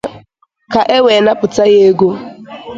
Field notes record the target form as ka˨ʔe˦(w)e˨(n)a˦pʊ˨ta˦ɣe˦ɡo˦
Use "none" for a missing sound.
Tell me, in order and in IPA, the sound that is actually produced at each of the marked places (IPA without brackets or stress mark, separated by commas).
w, n